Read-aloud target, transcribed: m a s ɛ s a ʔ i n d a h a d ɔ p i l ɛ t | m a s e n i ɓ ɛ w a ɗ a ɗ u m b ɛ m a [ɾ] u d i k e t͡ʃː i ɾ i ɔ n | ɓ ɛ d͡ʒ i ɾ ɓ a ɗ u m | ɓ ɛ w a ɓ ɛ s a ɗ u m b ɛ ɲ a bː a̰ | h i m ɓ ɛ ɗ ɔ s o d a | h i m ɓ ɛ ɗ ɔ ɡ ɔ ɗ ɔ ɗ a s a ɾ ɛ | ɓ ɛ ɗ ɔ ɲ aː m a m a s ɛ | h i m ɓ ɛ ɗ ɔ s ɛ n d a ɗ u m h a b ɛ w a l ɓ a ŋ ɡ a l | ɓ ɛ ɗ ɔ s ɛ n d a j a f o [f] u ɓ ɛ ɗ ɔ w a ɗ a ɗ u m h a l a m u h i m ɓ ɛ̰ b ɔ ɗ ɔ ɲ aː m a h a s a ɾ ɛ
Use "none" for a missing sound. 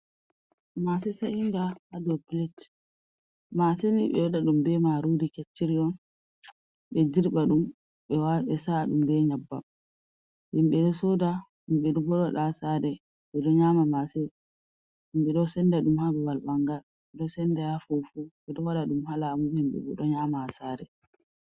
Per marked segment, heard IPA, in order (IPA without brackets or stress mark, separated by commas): ɾ, f